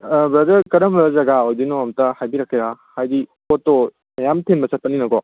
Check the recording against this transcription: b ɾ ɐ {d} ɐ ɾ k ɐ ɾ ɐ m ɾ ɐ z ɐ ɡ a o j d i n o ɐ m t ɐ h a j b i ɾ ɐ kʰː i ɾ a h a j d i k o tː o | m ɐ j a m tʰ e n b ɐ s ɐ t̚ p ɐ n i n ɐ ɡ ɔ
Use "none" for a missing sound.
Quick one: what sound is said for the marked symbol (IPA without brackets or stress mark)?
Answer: d